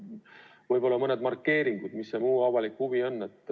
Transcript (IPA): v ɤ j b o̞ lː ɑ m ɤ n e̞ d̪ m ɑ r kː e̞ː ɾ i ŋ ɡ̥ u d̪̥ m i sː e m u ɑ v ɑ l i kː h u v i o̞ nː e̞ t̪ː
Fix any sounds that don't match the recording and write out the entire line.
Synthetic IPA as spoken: v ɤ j b o̞ lː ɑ m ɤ n e̞ d̪ m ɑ r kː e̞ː ɾ i ŋ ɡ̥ u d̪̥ m i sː e m uː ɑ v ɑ l i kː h u v i o̞ nː e̞ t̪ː